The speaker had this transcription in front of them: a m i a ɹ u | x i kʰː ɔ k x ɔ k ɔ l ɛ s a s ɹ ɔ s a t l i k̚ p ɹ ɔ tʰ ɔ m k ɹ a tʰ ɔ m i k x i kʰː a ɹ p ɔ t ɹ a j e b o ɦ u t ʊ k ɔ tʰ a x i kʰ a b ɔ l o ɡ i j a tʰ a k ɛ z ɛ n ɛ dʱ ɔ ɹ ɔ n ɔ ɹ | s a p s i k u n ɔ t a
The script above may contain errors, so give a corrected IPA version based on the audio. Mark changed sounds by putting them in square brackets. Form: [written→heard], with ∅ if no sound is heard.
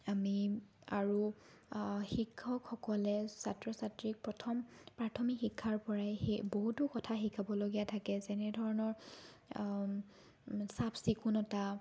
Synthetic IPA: a m i a ɹ u | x i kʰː ɔ k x ɔ k ɔ l ɛ s a [s→t] ɹ ɔ s a t [l→ɹ] i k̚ p ɹ ɔ tʰ ɔ m [k→p] ɹ a tʰ ɔ m i k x i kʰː a ɹ p ɔ [t→∅] ɹ a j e b o ɦ u t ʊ k ɔ tʰ a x i kʰ a b ɔ l o ɡ i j a tʰ a k ɛ z ɛ n ɛ dʱ ɔ ɹ ɔ n ɔ ɹ | s a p s i k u n ɔ t a